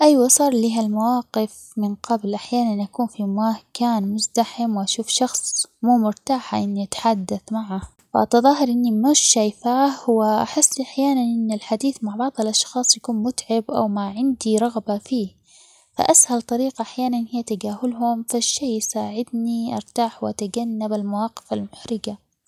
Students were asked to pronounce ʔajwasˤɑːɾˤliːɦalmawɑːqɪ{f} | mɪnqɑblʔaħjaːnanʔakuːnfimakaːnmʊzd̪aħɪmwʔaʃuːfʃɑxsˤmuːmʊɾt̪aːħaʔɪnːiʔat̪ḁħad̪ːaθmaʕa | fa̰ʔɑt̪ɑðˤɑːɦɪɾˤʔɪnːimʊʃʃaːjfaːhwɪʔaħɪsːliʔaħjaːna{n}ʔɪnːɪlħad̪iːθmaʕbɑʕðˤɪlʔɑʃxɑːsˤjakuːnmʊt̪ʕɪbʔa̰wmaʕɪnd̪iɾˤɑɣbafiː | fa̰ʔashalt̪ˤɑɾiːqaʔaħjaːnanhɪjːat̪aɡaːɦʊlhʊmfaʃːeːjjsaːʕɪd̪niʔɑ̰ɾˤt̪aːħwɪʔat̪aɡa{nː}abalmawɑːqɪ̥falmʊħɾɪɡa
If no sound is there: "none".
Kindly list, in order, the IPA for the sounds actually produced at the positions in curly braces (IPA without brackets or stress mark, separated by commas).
f, n, nː